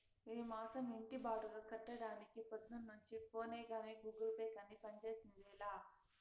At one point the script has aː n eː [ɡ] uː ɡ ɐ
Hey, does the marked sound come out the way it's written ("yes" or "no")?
yes